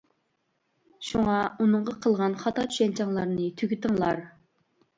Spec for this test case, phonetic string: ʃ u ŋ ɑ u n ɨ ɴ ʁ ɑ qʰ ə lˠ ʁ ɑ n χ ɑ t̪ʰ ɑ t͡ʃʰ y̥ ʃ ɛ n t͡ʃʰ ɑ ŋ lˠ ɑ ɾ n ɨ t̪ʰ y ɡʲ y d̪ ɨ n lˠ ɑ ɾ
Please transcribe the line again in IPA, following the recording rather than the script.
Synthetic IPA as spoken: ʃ u ŋ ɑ u n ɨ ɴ ʁ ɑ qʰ ə lˠ ʁ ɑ n χ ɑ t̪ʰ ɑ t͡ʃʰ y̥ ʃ ɛ n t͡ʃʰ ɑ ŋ lˠ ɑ ɾ n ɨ t̪ʰ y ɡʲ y t̪ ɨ ŋ lˠ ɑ ɾ